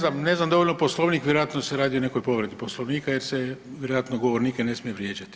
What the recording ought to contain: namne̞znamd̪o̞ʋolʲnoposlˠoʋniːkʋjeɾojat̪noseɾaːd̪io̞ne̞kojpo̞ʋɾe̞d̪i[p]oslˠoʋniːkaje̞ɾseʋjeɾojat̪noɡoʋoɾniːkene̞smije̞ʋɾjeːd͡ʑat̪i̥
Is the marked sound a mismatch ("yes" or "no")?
no